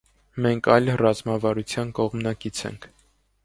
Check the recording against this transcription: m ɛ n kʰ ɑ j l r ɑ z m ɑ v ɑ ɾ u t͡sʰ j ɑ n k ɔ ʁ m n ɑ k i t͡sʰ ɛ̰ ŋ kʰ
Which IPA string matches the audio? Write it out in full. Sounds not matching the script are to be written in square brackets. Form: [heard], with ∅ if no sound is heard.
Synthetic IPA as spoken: m ɛ [ŋ] kʰ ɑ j l r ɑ z m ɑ v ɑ ɾ u t͡sʰ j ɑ n k ɔ ʁ m n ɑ k i t͡sʰ ɛ̰ ŋ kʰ